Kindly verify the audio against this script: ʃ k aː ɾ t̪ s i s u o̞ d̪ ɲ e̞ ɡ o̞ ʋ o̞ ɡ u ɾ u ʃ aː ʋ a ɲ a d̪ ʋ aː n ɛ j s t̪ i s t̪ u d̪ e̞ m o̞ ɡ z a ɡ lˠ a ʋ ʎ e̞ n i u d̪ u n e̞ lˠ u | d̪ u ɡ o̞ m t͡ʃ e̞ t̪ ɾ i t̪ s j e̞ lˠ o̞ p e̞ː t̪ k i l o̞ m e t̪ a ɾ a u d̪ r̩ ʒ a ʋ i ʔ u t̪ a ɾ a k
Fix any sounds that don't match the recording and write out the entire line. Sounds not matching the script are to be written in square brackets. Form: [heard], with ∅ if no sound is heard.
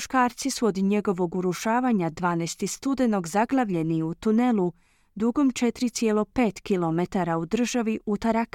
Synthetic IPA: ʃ k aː ɾ t̪ s i s u o̞ d̪ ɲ e̞ ɡ o̞ ʋ o̞ ɡ u ɾ u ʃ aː ʋ a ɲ a d̪ ʋ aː n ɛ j s t̪ i s t̪ u d̪ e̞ [n] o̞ ɡ z a ɡ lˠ a ʋ ʎ e̞ n i u [t̪] u n e̞ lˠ u | d̪ u ɡ o̞ m t͡ʃ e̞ t̪ ɾ i t̪ s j e̞ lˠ o̞ p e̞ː t̪ k i l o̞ m e t̪ a ɾ a u d̪ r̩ ʒ a ʋ i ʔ u t̪ a ɾ a k